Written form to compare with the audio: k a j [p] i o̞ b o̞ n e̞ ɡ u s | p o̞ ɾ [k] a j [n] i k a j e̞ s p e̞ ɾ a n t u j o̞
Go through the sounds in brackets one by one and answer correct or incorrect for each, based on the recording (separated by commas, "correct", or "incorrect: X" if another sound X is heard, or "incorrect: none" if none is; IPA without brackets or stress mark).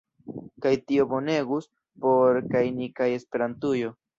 incorrect: t, correct, correct